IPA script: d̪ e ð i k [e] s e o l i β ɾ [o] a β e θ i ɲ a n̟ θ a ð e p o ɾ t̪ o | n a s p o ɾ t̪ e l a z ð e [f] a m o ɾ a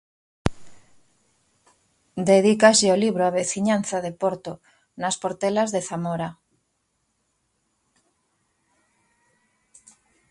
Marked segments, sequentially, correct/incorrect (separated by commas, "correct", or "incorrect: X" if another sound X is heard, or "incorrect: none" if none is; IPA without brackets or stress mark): incorrect: a, correct, incorrect: θ